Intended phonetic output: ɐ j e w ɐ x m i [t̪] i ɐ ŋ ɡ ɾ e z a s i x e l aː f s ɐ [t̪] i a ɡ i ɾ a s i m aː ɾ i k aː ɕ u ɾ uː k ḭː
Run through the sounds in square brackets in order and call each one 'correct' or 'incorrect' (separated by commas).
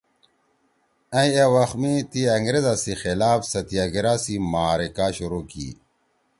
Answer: correct, correct